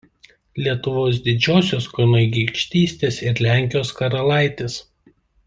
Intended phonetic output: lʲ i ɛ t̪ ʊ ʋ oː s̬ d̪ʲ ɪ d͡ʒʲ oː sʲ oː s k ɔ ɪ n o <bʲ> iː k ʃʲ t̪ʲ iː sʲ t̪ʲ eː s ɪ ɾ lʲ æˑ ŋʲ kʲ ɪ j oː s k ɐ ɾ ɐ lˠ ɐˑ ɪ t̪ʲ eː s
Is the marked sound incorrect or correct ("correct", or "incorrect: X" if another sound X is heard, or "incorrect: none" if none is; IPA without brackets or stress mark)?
incorrect: ɡʲ